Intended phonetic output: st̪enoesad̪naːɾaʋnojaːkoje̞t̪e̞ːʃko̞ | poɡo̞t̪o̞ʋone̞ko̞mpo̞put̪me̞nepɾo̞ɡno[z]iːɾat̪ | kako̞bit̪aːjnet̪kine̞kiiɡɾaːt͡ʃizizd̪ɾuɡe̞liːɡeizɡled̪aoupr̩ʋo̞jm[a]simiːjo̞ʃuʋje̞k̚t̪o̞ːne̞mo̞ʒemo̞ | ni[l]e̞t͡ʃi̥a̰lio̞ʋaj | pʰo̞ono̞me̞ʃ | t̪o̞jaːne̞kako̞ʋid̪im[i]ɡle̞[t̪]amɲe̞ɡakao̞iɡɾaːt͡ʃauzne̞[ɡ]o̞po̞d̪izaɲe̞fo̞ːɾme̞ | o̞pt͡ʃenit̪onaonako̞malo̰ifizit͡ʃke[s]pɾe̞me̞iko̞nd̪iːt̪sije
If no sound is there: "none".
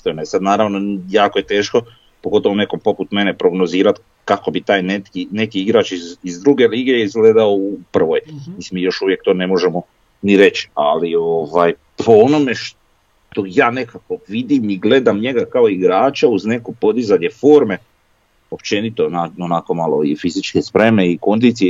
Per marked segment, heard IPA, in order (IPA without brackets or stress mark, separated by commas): z, i, ɾ, i, d̪, k, s